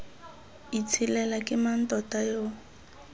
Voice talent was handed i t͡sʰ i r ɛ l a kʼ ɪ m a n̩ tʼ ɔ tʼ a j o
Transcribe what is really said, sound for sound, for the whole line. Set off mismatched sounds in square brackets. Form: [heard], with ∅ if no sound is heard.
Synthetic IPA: i t͡sʰ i [l] ɛ l a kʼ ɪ m a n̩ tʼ ɔ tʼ a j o